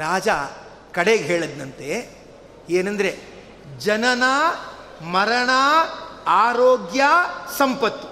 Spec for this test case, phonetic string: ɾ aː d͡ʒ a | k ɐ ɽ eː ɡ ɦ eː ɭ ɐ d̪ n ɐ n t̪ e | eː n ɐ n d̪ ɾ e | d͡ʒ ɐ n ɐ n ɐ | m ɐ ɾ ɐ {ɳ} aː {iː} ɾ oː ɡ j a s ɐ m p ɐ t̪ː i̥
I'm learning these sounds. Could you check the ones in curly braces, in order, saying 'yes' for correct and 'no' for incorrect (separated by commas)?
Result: yes, no